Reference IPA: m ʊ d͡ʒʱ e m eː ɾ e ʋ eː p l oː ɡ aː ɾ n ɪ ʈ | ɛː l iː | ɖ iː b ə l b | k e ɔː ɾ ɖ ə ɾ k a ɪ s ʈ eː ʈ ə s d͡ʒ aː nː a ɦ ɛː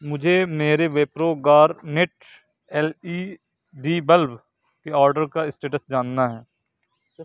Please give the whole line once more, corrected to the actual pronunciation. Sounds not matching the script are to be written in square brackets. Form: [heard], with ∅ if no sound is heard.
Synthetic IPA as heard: m ʊ d͡ʒʱ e m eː ɾ e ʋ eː p [ɾ] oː ɡ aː ɾ n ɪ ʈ | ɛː l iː | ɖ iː b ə l b | k e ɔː ɾ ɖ ə ɾ k a ɪ s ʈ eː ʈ ə s d͡ʒ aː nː a ɦ ɛː